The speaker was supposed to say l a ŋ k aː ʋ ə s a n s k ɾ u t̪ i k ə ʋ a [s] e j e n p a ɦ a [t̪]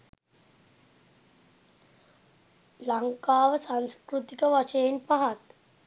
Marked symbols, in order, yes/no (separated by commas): no, yes